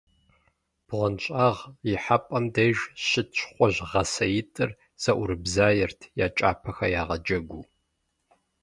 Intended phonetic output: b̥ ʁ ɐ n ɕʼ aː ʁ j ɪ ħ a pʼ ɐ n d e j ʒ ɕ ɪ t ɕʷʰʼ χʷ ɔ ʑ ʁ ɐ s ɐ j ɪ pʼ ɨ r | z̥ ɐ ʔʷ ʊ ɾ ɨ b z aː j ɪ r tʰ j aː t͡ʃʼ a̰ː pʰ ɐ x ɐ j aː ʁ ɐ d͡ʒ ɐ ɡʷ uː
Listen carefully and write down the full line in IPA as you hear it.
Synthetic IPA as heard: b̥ ʁ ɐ n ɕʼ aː ʁ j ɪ ħ a pʼ ɐ m d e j ʒ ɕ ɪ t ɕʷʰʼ χʷ ɔ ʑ ʁ ɐ s ɐ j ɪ tʼ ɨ r | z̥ ɐ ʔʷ ʊ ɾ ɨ b z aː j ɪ r tʰ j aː t͡ʃʼ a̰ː pʰ ɐ x ɐ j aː ʁ ɐ d͡ʒ ɐ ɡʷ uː